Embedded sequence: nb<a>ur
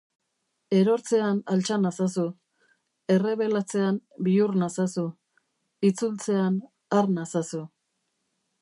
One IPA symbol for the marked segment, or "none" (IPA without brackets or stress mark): i